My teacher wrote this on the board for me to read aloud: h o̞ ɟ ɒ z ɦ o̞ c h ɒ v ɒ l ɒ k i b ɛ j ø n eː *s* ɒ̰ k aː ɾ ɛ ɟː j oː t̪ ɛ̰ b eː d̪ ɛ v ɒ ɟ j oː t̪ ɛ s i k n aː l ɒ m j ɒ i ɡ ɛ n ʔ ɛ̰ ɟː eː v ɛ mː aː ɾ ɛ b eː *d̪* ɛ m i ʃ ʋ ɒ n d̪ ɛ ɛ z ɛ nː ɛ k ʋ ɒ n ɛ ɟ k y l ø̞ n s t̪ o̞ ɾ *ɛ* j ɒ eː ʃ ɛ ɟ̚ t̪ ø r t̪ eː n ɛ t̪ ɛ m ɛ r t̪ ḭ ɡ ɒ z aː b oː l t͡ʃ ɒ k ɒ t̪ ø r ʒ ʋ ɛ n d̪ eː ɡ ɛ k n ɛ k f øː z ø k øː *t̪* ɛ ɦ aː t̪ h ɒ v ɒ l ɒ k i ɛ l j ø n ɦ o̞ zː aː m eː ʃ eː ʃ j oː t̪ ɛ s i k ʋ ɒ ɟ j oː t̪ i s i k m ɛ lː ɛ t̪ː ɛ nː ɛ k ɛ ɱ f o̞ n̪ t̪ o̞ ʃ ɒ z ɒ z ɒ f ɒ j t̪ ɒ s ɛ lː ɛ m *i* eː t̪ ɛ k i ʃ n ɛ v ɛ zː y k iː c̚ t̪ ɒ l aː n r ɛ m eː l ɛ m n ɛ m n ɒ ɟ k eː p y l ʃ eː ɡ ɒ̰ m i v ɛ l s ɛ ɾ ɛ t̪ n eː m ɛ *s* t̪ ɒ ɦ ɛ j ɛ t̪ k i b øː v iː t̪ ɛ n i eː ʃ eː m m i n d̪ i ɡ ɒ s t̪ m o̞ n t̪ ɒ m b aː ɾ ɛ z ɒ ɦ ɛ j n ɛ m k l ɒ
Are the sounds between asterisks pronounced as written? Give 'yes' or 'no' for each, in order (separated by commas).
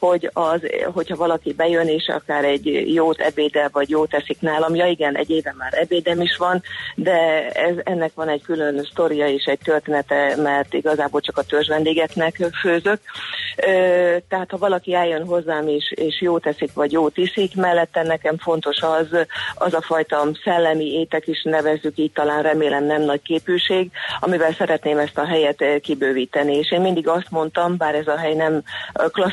no, yes, no, yes, yes, yes